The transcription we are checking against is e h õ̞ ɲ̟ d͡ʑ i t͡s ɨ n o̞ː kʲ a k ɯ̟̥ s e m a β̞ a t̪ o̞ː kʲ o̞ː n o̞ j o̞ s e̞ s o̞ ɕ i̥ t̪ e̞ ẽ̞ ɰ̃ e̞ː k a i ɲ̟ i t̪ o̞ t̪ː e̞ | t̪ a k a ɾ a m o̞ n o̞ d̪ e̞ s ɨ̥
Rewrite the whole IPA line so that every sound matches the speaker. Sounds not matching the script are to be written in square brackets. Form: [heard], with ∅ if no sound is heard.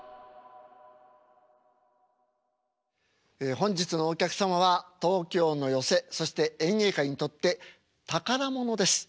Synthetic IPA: e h õ̞ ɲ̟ d͡ʑ i t͡s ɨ n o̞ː kʲ a k ɯ̟̥ s [a] m a β̞ a t̪ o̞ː kʲ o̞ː n o̞ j o̞ s e̞ s o̞ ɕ i̥ t̪ e̞ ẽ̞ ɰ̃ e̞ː k a i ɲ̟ i t̪ o̞ t̪ː e̞ | t̪ a k a ɾ a m o̞ n o̞ d̪ e̞ s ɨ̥